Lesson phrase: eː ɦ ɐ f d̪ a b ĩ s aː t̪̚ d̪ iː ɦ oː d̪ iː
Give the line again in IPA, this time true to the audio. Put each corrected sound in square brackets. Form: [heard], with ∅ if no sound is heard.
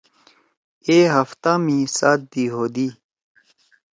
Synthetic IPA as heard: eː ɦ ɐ f [t̪] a [m] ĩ s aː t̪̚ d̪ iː ɦ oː d̪ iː